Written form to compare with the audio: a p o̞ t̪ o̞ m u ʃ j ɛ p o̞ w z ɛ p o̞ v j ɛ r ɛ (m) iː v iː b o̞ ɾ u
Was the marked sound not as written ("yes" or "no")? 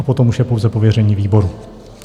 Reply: yes